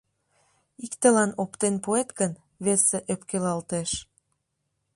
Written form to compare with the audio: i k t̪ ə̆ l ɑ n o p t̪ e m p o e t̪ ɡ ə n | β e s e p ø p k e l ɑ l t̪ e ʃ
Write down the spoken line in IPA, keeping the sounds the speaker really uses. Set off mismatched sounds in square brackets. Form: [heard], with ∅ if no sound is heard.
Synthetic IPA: i k t̪ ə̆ l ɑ n o p t̪ e [n] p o e t̪ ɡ ə n | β e s e [ʔ] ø p k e l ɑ l t̪ e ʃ